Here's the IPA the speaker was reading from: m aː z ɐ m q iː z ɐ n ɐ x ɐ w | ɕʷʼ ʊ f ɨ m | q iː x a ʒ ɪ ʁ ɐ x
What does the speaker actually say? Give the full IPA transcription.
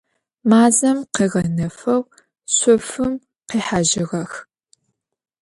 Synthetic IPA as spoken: m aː z ɐ m q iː ʁ ɐ n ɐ f ɐ w | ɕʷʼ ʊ f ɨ m | q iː ħ a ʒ ɪ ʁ ɐ x